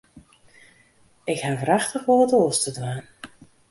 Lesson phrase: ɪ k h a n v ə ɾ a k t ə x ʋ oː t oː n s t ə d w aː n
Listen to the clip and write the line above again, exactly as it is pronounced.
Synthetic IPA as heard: ɪ k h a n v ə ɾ a x t ə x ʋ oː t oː s t ə d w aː n